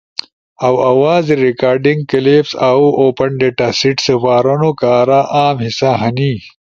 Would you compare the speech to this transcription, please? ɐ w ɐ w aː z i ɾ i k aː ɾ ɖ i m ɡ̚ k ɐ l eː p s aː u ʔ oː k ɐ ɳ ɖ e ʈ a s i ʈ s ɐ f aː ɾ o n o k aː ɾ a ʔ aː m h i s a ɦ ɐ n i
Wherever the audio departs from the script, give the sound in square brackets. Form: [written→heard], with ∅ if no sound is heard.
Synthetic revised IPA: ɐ w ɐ w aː z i ɾ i k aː ɾ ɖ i [m→ŋ] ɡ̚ k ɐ l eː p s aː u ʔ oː [k→p] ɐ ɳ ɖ e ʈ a s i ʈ s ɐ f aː ɾ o n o k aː ɾ a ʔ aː m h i s a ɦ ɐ n i